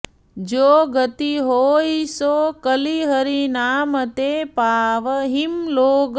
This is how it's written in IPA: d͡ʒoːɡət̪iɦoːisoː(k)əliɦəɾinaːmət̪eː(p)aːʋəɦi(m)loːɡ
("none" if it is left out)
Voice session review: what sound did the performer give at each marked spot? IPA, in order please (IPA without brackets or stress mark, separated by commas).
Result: k, p, m